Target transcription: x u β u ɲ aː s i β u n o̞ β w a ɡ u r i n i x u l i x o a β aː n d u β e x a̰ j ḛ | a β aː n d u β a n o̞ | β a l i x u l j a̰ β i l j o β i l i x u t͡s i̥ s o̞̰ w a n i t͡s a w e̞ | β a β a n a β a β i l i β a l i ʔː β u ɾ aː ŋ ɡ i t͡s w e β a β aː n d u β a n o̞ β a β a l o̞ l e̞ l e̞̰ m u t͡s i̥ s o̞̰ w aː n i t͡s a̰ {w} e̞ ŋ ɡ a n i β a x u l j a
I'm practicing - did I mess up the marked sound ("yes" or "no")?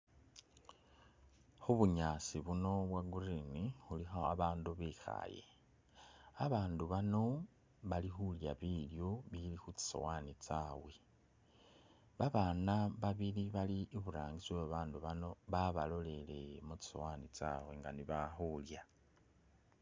no